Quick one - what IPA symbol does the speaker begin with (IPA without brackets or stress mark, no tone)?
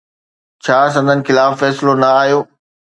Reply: t͡ɕʰ